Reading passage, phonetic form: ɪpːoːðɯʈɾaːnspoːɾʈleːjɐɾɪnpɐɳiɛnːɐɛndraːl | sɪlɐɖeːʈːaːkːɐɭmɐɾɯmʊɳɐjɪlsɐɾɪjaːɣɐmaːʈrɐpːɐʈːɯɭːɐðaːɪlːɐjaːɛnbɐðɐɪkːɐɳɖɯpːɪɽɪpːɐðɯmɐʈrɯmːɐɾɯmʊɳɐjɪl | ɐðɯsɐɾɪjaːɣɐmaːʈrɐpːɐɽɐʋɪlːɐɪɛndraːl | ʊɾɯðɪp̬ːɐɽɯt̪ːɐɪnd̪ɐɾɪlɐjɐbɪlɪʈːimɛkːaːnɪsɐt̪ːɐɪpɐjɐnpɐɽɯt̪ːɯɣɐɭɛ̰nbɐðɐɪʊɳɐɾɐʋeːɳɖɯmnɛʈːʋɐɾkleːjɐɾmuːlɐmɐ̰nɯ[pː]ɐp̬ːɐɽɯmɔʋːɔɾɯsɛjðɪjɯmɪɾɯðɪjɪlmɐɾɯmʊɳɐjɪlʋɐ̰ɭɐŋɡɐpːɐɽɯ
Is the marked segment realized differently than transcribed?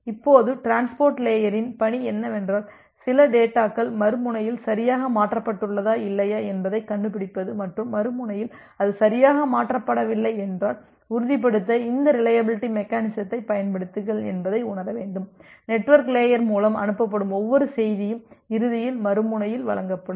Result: no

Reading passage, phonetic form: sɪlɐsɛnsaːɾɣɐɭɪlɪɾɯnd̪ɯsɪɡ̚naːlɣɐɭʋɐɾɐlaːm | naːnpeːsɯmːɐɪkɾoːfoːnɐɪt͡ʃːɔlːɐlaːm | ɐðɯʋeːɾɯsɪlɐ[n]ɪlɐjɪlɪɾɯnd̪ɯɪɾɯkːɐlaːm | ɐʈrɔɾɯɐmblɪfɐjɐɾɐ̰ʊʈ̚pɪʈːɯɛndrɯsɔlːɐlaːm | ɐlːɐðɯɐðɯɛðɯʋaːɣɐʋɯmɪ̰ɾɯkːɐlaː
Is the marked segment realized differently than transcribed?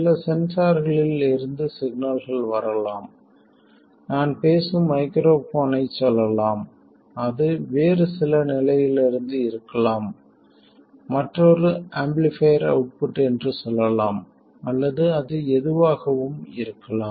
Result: no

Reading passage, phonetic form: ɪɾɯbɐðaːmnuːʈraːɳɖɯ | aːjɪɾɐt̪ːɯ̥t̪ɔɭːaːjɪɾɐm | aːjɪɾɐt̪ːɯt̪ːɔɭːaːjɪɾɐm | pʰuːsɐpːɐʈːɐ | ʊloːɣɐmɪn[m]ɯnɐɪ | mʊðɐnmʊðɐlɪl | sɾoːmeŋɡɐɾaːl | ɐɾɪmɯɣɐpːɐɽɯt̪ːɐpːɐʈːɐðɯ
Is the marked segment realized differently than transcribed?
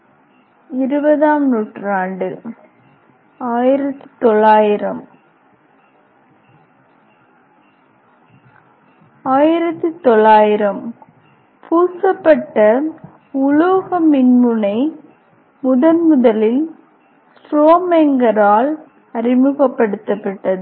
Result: no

